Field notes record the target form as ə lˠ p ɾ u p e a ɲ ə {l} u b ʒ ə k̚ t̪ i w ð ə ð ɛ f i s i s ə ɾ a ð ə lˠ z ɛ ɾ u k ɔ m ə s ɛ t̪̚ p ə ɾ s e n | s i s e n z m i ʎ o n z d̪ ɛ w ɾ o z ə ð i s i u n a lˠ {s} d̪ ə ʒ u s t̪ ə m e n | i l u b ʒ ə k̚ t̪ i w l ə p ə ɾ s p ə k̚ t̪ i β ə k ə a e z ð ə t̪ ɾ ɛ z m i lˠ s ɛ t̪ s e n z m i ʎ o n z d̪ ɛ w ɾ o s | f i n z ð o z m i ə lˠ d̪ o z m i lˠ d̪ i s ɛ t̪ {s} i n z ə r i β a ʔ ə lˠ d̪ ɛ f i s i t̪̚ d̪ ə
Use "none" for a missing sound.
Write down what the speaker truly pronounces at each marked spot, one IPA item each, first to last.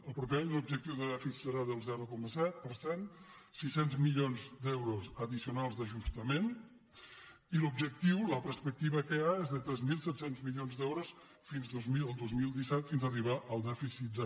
l, z, f

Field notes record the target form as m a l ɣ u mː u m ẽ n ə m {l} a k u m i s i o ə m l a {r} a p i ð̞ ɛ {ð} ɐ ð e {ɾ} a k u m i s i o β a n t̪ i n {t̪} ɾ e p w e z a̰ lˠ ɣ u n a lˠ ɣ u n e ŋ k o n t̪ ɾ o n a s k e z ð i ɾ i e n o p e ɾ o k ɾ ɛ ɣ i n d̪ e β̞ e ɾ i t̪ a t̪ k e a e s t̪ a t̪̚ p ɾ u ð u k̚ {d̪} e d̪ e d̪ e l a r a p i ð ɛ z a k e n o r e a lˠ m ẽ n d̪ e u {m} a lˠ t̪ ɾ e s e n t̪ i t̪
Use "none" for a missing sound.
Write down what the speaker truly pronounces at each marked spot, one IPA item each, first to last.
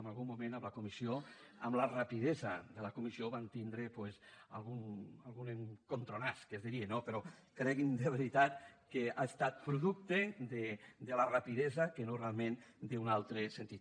l, r, z, l, d̪, t̪, n

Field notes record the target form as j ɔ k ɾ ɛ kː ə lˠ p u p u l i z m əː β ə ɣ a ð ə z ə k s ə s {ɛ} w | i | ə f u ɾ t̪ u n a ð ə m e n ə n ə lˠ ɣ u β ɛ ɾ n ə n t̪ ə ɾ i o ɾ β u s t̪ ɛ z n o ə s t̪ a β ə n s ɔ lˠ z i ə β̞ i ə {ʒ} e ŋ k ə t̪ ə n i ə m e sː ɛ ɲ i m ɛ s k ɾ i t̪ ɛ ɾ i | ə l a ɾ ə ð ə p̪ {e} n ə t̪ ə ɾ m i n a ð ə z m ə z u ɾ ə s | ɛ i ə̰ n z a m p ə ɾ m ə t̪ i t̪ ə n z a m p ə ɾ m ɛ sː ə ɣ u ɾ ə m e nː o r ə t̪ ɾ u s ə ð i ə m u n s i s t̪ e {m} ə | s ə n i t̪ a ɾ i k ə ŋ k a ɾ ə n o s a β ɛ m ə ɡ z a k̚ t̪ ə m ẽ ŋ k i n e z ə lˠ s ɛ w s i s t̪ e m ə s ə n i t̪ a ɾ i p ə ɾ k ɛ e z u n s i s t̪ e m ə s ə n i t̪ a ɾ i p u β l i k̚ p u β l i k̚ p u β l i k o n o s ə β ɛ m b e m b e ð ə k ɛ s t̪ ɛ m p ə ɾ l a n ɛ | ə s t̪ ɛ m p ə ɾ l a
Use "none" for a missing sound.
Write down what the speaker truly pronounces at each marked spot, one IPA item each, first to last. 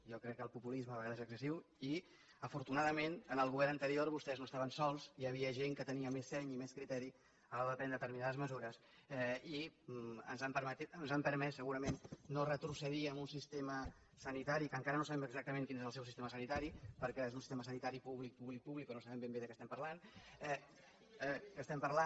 i, ʒ, ɛ, m

